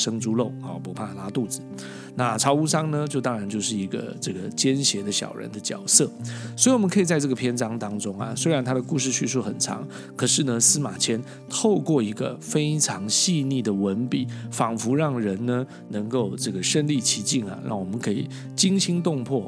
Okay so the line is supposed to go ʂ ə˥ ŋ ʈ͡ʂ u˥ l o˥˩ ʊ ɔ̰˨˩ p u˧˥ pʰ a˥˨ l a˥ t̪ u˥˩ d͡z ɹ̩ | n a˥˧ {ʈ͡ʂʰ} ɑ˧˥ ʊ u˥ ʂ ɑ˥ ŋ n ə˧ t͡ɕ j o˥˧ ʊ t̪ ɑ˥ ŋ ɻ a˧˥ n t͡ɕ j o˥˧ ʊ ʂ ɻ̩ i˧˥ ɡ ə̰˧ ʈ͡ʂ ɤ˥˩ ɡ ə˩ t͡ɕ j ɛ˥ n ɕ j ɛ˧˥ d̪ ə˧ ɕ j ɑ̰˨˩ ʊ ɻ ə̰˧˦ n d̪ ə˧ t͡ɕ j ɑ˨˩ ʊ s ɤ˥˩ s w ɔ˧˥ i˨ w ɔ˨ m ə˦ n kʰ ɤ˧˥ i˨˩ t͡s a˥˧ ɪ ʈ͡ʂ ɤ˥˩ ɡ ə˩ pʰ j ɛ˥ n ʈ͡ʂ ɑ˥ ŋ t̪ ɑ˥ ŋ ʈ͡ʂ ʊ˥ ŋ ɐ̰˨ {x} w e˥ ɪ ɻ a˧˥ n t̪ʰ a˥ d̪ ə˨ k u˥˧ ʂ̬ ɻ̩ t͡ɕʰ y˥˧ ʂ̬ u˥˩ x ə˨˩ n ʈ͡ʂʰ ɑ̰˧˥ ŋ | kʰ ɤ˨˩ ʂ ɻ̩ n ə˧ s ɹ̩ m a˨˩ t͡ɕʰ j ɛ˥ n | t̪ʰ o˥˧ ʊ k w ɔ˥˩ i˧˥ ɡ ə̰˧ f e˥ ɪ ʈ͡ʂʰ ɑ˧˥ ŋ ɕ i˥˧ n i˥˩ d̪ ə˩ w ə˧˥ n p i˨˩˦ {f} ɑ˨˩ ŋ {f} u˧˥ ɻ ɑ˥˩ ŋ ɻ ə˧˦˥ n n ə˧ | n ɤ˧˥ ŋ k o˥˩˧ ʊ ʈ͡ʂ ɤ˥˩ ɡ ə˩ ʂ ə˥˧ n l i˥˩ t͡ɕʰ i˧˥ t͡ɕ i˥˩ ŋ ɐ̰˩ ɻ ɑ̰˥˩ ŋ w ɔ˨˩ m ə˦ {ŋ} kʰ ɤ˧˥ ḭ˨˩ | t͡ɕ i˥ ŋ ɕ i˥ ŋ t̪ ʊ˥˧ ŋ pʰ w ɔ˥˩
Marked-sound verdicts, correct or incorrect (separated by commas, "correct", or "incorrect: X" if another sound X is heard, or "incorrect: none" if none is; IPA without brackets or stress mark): correct, incorrect: s, correct, correct, incorrect: n